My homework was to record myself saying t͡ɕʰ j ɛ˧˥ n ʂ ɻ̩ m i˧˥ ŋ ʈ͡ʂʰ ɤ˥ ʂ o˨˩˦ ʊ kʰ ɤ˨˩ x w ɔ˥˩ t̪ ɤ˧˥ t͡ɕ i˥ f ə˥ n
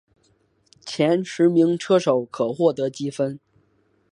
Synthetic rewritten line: t͡ɕʰ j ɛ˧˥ n ʂ ɻ̩ m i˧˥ ŋ ʈ͡ʂʰ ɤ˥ ʂ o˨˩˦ ʊ kʰ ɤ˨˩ x w ɔ˥˩ t̪ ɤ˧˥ t͡ɕ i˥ f ə˥ n